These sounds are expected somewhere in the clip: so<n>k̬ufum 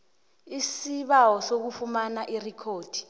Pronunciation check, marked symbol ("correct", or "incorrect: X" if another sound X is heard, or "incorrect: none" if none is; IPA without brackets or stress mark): incorrect: none